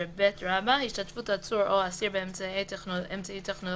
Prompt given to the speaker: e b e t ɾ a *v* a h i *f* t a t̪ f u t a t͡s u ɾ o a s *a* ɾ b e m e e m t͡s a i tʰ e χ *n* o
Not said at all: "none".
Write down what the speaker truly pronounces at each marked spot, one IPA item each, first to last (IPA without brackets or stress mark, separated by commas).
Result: b, ʃ, i, n